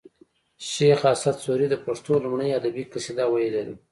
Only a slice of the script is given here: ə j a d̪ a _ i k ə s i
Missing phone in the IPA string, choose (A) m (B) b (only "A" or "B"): B